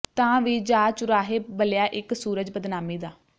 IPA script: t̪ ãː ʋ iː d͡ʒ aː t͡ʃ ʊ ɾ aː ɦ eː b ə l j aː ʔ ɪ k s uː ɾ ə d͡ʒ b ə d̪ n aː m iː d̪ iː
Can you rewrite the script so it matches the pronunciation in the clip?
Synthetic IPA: t̪ ãː ʋ iː d͡ʒ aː t͡ʃ ʊ ɾ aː ɦ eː b ə l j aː ʔ ɪ k s uː ɾ ə d͡ʒ b ə d̪ n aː m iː d̪ aː